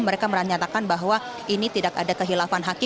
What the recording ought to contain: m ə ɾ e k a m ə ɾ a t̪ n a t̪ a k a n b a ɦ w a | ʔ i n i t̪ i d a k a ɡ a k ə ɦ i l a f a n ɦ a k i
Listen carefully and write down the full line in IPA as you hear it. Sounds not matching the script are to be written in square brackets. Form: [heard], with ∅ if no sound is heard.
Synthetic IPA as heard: m ə ɾ e k a m ə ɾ a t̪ [ɲ] a t̪ a k a n b a ɦ w a | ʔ i n i t̪ i d a k a [d] a k ə ɦ i l a f a n ɦ a k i